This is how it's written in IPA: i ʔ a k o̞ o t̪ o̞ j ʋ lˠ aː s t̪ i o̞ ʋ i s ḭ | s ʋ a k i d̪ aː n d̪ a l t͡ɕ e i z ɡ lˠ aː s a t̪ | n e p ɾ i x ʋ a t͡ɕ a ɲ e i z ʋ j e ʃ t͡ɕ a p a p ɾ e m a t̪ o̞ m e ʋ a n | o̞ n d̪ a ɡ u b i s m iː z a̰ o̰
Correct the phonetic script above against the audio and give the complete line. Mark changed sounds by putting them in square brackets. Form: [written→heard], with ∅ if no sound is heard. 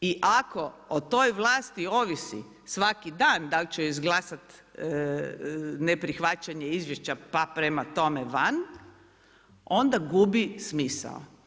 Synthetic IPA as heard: i ʔ a k o̞ o t̪ o̞ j ʋ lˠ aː s t̪ i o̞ ʋ i s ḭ | s ʋ a k i d̪ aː n d̪ a l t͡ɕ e i z ɡ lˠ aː s a t̪ | n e p ɾ i x ʋ a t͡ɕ a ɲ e i z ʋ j e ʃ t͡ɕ a p a p ɾ e m a t̪ o̞ m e ʋ a n | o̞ n d̪ a ɡ u b i s m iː [z→s] a̰ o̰